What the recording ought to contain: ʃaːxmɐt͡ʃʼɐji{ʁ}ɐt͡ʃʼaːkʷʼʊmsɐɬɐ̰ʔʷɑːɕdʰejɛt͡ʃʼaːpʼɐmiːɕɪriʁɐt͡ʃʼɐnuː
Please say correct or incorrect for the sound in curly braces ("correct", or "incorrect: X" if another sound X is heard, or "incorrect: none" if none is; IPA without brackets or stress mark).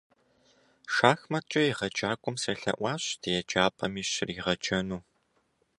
correct